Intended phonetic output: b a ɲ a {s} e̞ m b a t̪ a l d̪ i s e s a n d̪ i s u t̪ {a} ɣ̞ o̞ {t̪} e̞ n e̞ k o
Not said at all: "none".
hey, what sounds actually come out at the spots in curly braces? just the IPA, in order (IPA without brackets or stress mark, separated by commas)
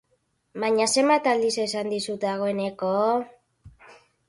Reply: s, a, none